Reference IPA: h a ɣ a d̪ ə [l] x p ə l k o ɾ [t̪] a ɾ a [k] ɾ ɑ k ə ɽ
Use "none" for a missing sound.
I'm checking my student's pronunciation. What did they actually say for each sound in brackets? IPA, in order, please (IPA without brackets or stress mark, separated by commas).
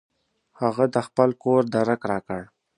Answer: none, d̪, k